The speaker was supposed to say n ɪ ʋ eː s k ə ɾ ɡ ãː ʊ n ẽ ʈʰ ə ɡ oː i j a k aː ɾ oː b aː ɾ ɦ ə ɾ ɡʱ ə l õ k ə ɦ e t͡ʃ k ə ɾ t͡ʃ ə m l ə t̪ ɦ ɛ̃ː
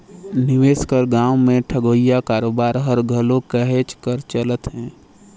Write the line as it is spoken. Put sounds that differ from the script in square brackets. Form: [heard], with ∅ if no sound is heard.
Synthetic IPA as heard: n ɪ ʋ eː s k ə ɾ ɡ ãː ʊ [m] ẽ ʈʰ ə ɡ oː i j a k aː ɾ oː b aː ɾ ɦ ə ɾ ɡʱ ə l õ k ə ɦ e t͡ʃ k ə ɾ t͡ʃ ə [∅] l ə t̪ ɦ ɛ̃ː